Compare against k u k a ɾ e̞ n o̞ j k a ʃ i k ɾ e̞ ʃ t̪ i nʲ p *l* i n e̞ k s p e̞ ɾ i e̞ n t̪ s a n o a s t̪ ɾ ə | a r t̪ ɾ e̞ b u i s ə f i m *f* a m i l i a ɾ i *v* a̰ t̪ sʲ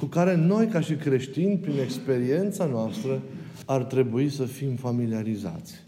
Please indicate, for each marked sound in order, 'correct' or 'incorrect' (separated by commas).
incorrect, correct, incorrect